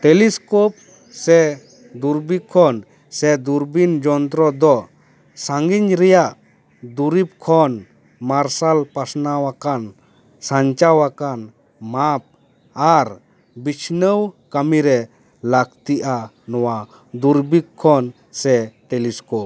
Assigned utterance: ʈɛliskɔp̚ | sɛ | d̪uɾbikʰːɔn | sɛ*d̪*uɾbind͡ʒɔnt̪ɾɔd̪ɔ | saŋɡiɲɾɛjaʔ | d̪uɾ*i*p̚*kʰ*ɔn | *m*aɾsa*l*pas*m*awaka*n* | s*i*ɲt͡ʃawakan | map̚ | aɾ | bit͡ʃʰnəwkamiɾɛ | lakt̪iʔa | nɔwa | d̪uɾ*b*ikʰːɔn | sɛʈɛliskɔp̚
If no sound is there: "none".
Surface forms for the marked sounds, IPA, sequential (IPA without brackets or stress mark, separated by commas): d̪, i, kʰ, m, l, n, n, a, b